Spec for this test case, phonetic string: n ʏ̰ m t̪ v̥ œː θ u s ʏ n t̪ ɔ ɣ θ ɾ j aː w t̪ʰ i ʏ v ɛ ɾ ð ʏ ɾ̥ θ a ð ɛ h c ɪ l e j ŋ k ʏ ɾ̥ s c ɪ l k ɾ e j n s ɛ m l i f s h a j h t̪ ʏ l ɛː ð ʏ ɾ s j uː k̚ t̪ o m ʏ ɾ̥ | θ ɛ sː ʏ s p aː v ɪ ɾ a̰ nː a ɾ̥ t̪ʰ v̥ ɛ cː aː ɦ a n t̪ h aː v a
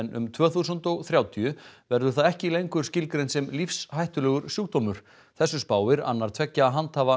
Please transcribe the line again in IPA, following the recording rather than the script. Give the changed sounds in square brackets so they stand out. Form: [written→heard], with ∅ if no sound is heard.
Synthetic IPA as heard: n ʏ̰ m [t̪→t̪ʰ] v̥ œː θ u s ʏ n t̪ ɔ ɣ θ ɾ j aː w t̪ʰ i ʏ v ɛ ɾ ð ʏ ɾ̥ θ a ð ɛ h c ɪ l e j ŋ k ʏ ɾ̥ s c ɪ l k ɾ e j n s ɛ m l i f s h a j h t̪ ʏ l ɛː [ð→ɣ] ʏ ɾ s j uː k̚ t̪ o m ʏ ɾ̥ | θ ɛ sː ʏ s p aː [v→w] ɪ ɾ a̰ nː a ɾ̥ t̪ʰ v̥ ɛ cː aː ɦ a n t̪ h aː v a